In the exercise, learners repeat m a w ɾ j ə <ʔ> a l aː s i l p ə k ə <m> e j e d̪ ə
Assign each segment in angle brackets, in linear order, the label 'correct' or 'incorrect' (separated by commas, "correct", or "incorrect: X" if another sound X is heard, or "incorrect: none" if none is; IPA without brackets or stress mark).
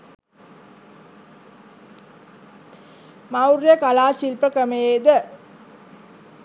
incorrect: k, correct